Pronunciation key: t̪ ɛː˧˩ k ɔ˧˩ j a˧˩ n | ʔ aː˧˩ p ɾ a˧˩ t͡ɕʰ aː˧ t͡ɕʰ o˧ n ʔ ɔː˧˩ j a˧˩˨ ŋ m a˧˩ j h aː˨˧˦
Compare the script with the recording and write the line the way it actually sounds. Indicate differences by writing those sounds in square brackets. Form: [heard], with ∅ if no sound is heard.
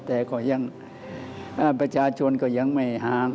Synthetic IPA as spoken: t̪ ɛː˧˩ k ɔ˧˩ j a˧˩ [ŋ] | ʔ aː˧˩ p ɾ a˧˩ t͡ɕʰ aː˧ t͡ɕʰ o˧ n [k] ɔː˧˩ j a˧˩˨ ŋ m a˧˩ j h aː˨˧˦